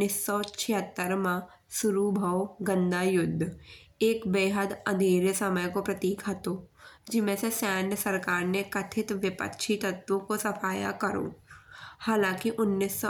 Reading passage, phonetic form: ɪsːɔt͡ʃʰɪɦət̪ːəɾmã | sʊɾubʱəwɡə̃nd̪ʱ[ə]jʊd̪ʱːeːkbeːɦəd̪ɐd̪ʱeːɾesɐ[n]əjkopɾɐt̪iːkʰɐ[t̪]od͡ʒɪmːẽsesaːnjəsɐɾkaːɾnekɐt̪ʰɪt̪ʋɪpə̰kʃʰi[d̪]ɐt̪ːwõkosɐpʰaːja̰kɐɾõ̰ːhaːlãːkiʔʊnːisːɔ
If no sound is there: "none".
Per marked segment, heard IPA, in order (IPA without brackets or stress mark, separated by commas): a, m, t̪, t̪